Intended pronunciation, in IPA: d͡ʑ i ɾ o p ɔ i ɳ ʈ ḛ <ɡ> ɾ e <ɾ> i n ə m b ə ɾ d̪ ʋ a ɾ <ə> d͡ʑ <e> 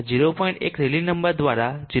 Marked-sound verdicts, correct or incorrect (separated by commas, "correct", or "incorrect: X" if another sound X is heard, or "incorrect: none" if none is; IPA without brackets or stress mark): incorrect: k, incorrect: l, incorrect: a, incorrect: i